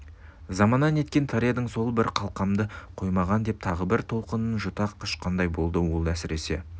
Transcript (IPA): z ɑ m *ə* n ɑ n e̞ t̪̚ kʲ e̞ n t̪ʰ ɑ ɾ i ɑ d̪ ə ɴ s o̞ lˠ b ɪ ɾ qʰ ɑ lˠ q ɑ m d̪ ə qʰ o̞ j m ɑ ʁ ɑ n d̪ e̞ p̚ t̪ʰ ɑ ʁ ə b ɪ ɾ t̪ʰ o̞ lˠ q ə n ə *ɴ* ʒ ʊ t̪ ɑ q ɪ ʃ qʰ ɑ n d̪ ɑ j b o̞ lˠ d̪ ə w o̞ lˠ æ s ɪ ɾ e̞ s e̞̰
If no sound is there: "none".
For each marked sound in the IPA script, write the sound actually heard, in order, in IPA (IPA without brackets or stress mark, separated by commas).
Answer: ɑ, n